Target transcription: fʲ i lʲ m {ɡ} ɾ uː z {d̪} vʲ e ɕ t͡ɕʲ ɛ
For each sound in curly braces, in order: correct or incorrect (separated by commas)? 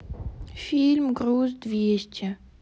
correct, correct